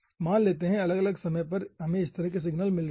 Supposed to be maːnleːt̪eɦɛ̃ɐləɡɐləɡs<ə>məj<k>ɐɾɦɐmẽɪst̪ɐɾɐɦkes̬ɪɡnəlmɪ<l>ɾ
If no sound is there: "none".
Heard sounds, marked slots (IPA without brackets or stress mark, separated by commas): ɐ, p, l